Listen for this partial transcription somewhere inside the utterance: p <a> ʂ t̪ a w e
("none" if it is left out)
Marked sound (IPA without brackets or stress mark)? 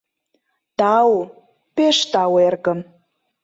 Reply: e